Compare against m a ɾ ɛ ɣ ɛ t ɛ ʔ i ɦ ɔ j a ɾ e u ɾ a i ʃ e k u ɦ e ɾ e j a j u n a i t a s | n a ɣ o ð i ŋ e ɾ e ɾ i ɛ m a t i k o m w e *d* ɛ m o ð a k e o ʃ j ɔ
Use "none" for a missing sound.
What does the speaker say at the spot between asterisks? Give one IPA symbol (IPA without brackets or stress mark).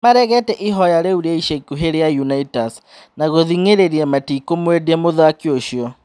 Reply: d